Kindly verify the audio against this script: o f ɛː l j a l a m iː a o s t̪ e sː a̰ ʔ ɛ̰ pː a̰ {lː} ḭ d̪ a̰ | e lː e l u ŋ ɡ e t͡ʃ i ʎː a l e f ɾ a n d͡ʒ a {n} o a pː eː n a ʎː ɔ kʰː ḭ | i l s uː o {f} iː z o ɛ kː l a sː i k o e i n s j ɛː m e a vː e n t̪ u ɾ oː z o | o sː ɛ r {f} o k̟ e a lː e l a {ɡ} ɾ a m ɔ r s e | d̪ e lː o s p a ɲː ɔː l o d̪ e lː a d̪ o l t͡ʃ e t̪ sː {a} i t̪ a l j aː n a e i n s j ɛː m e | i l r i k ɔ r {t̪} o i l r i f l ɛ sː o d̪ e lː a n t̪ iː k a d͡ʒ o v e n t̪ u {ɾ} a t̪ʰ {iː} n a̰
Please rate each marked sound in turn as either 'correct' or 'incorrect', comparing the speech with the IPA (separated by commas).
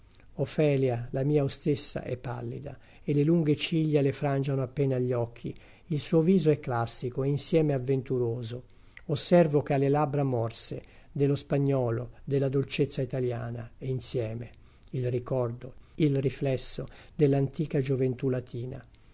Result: correct, correct, incorrect, incorrect, incorrect, correct, incorrect, incorrect, correct